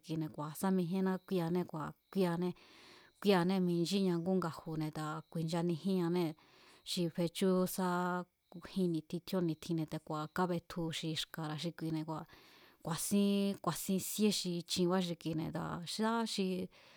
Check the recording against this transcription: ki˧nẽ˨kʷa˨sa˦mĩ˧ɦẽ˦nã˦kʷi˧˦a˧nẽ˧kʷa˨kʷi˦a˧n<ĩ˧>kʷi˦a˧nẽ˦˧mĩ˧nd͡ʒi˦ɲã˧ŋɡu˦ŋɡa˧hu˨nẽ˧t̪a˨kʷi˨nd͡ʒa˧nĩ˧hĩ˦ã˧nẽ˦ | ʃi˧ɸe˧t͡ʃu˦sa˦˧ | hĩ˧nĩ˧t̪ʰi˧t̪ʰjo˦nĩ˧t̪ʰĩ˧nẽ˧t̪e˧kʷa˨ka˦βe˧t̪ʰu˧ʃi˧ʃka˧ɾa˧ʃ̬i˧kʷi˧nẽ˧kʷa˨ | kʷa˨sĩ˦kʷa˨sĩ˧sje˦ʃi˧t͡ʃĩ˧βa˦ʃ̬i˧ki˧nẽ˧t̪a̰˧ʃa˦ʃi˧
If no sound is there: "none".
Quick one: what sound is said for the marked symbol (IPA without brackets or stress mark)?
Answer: ẽ˧